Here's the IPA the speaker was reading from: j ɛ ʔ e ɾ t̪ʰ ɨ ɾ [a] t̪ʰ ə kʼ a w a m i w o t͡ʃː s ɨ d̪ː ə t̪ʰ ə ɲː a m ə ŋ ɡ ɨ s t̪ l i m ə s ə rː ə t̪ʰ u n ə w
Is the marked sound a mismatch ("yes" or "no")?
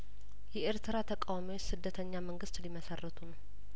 no